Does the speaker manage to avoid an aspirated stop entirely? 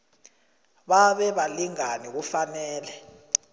yes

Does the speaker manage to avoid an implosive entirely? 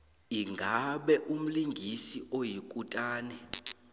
no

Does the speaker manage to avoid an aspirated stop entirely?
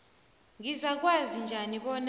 yes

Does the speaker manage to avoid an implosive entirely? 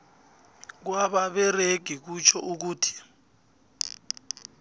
no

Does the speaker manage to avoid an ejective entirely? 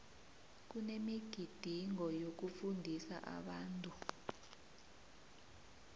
no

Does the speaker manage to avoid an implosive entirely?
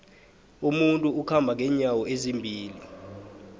yes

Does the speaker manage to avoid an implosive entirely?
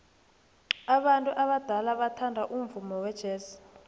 no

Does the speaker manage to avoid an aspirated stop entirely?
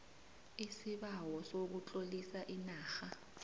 yes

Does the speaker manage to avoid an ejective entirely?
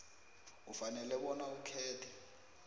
yes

